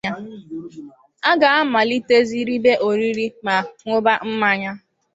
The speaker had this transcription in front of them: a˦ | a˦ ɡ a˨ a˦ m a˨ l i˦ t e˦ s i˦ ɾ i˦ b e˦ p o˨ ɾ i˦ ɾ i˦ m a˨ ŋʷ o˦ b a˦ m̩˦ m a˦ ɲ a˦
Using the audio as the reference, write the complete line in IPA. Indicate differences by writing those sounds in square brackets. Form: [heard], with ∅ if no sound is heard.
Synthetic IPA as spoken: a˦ | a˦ ɡ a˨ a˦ m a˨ l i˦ t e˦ [z] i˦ ɾ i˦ b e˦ [ʔ] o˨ ɾ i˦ ɾ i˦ m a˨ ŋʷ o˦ b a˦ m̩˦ m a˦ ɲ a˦

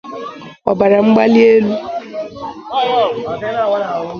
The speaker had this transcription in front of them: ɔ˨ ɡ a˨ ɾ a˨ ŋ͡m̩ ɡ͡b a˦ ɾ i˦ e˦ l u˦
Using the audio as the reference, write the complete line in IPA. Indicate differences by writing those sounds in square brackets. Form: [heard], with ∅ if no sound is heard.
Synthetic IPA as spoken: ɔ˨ [b] a˨ ɾ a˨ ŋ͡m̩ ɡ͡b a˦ [l] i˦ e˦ l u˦

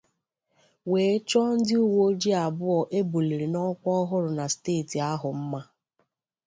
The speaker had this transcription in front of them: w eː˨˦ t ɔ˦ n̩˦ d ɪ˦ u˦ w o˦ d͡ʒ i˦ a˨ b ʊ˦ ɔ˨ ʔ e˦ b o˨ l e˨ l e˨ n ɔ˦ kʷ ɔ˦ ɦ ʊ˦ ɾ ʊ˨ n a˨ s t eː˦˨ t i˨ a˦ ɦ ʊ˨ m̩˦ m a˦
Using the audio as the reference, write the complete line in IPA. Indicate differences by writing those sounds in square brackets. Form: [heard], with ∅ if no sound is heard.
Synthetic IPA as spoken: w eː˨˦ [t͡ʃ] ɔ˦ n̩˦ d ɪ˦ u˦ w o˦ d͡ʒ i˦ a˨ b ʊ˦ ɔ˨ ʔ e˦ b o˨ l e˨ [ɾ] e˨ n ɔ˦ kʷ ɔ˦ ɦ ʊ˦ ɾ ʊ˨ n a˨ s t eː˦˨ t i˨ a˦ ɦ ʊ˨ m̩˦ m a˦

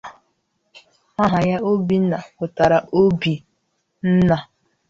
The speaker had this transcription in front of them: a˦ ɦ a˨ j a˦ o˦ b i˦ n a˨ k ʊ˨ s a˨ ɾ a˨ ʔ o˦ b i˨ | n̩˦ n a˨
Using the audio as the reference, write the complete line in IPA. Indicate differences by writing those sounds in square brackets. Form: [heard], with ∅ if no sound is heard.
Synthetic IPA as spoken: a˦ ɦ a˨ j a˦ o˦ b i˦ n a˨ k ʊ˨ [t] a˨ ɾ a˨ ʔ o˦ b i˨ | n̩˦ n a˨

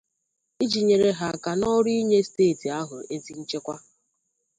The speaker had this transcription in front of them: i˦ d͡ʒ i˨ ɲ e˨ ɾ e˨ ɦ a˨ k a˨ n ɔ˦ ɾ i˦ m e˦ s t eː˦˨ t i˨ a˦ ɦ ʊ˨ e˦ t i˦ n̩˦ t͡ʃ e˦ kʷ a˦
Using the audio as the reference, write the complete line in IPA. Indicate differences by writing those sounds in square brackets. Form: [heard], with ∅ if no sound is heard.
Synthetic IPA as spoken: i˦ d͡ʒ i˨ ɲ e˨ ɾ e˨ ɦ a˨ k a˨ n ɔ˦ ɾ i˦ [ɲ] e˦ s t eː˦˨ t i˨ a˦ ɦ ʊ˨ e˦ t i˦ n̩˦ t͡ʃ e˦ kʷ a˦

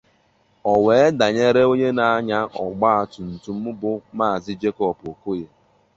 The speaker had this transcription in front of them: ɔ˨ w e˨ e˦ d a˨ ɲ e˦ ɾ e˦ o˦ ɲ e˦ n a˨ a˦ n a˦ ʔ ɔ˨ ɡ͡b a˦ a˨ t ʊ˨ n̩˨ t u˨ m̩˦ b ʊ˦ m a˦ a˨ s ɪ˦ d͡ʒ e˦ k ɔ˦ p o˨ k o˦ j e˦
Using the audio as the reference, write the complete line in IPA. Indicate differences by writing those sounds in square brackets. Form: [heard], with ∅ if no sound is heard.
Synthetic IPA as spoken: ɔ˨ w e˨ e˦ d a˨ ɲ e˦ ɾ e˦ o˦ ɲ e˦ n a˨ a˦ [ɲ] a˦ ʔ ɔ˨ ɡ͡b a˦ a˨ t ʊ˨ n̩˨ t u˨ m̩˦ b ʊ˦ m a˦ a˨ [z] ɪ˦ d͡ʒ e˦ k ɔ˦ p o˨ k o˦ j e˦

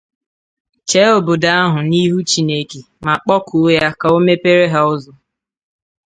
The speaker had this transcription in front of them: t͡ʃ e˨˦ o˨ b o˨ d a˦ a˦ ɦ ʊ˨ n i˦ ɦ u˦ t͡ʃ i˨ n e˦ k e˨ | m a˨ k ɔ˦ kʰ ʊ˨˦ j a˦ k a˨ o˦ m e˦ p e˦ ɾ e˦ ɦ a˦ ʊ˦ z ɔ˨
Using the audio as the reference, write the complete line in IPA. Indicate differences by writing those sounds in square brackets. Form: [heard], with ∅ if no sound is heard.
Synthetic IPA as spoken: t͡ʃ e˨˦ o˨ b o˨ d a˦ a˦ ɦ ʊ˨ n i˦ ɦ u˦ t͡ʃ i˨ n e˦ k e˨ | m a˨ [k͡p] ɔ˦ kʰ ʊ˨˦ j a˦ k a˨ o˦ m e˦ p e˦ ɾ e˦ ɦ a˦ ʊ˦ z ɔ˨

